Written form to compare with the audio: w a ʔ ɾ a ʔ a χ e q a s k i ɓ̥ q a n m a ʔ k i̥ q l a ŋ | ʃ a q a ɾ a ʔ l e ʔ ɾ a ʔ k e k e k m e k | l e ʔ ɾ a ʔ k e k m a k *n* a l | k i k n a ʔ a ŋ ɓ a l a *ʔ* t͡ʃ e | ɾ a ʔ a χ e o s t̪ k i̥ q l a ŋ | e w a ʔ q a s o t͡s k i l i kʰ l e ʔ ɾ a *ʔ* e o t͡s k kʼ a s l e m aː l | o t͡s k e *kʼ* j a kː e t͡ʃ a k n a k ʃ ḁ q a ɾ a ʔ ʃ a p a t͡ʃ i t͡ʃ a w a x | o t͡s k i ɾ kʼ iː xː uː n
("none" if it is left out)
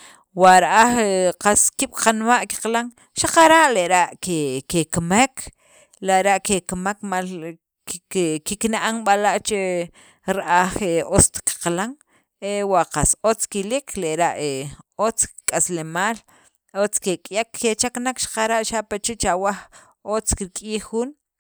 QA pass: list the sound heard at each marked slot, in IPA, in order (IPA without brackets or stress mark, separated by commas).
m, ʔ, ʔ, kʼ